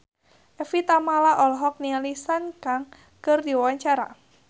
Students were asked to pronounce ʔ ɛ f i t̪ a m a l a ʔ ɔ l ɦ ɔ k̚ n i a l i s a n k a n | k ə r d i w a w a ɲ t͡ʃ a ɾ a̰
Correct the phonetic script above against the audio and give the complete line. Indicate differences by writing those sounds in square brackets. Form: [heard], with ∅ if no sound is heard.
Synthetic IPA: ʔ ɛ f i t̪ a m a l a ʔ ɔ l ɦ ɔ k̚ n i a l i s a n k a [ŋ] | k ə r d i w a w a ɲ t͡ʃ a ɾ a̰